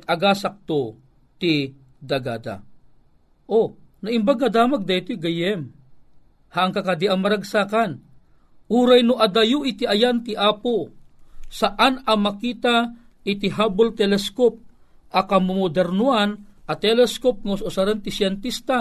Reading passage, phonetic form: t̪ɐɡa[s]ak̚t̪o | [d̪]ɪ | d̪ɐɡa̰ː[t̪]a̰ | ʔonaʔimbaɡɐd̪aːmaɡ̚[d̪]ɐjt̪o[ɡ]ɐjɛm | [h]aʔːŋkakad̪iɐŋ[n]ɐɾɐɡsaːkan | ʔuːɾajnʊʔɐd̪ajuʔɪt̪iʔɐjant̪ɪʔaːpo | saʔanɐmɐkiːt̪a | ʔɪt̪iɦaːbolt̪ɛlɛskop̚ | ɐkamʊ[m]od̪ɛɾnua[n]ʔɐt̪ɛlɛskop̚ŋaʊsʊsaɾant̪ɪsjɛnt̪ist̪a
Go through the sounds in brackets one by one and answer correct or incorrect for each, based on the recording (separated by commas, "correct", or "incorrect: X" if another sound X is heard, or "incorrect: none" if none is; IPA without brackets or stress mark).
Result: correct, incorrect: t̪, incorrect: d̪, correct, correct, correct, incorrect: m, correct, correct